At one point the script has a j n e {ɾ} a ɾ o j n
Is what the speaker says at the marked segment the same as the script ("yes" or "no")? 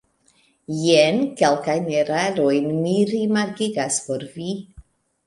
yes